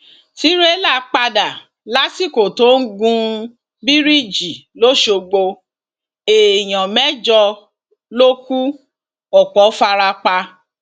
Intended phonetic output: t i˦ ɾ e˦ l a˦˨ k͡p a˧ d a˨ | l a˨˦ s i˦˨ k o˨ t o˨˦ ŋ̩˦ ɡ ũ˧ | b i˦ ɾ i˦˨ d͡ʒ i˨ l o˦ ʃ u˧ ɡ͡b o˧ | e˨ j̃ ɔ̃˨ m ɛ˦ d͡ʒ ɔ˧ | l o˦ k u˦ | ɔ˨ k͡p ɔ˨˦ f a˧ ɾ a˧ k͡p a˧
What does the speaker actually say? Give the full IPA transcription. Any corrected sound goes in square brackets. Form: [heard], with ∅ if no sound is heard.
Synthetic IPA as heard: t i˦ ɾ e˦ l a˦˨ k͡p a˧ d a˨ | l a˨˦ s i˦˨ k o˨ t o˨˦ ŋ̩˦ ɡ ũ˧ | b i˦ ɾ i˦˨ d͡ʒ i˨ l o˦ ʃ [o˧] ɡ͡b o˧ | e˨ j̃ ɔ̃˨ m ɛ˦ d͡ʒ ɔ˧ | l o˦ k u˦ | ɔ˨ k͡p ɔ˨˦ f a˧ ɾ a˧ k͡p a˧